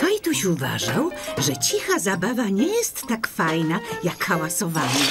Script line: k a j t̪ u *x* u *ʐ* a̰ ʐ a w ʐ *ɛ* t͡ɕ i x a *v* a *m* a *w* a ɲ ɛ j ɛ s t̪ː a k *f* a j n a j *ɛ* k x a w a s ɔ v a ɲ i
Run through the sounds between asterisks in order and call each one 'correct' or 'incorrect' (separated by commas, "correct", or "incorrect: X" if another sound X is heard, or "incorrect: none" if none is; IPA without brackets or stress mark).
incorrect: ɕ, incorrect: v, correct, incorrect: z, incorrect: b, incorrect: v, correct, incorrect: a